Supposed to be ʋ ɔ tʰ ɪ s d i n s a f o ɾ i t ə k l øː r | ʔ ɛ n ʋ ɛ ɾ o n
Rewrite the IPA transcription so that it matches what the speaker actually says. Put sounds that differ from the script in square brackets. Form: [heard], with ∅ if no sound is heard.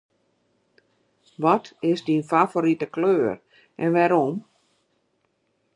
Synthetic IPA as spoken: ʋ ɔ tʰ ɪ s d i n [f] a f o ɾ i t ə k l øː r | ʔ ɛ n ʋ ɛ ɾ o [m]